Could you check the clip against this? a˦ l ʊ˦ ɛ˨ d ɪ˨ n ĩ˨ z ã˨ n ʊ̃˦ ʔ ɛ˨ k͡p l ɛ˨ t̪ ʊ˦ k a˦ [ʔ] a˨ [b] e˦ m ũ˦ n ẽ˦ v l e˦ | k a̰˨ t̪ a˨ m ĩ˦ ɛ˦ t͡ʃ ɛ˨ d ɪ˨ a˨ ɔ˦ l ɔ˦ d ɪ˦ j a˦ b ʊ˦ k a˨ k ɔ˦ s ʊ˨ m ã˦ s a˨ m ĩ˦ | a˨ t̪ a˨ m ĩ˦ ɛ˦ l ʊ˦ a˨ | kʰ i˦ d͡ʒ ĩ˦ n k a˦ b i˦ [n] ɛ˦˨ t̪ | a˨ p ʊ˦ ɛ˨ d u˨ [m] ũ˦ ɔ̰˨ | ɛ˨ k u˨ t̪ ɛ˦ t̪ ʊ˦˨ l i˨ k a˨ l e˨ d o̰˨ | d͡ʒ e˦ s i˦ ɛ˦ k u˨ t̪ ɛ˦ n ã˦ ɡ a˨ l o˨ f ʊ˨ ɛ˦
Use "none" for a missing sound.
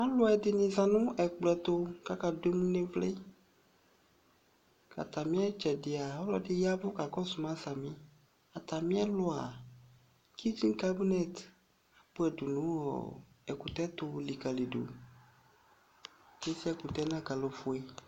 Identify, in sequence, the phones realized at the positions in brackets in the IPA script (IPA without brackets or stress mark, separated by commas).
k, d, n, n